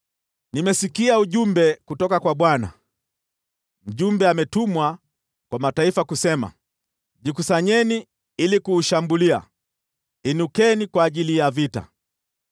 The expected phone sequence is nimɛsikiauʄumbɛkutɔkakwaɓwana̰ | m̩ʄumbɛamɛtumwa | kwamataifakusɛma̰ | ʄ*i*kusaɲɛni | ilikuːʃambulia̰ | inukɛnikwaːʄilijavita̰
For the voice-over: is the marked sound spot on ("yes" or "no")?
yes